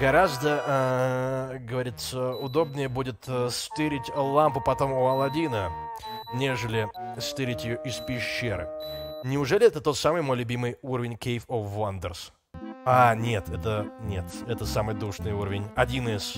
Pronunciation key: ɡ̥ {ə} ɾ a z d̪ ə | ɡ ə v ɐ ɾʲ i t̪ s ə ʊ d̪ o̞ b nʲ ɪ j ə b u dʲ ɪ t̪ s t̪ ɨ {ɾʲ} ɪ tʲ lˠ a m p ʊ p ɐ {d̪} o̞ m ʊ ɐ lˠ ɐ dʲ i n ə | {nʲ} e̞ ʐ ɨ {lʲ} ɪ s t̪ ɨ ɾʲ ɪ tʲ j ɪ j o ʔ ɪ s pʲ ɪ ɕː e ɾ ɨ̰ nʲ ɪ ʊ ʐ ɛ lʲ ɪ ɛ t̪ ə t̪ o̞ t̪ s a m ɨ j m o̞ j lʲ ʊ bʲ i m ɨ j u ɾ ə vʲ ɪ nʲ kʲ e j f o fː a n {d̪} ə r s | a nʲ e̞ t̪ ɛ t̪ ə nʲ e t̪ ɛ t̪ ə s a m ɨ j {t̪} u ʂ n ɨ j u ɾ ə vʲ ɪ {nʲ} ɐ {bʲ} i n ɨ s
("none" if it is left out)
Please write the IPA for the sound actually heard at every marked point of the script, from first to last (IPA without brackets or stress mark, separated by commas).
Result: ɐ, ɾʲ, t̪, nʲ, lʲ, d̪, d̪, nʲ, dʲ